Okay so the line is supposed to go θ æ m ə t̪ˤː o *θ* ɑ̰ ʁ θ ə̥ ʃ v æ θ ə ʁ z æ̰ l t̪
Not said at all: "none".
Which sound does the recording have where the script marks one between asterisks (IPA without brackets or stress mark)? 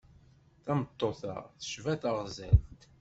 θ